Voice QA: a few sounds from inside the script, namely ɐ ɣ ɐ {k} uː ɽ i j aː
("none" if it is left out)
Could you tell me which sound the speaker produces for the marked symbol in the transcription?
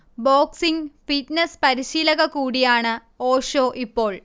k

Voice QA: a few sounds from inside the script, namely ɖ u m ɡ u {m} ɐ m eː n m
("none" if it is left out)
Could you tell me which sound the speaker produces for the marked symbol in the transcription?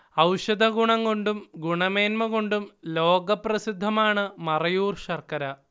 ɳ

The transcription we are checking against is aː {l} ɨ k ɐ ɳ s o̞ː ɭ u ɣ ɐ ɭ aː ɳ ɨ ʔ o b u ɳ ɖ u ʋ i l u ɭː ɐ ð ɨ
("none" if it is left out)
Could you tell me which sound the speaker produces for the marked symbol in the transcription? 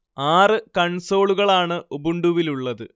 r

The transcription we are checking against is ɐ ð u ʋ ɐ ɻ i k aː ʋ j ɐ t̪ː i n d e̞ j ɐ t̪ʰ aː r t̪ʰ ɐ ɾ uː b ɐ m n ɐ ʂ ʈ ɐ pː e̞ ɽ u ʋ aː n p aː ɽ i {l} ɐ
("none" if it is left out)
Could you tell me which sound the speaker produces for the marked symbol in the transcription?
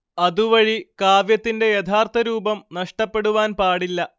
lː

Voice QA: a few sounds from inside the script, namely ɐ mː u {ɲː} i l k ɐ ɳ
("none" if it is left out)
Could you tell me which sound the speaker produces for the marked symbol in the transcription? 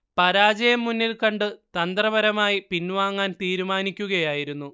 nː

